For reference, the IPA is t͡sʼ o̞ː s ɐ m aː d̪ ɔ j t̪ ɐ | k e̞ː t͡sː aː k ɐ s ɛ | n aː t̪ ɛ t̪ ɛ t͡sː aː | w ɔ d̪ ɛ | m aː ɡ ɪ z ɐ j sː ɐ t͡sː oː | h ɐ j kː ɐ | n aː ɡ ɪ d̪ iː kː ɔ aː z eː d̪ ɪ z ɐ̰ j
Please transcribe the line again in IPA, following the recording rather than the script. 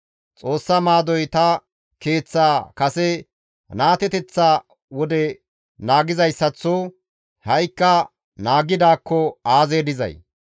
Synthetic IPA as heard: t͡sʼ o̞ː sː ɐ m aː d̪ ɔ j t̪ ɐ | k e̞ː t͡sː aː k ɐ s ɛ | n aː t̪ ɛ t̪ ɛ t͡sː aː | w ɔ d̪ ɛ | n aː ɡ ɪ z ɐ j sː ɐ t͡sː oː | h ɐ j kː ɐ | n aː ɡ ɪ d̪ aː kː ɔ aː z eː d̪ ɪ z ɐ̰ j